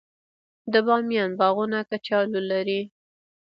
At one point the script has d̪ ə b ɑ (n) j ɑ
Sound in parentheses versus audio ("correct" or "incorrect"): incorrect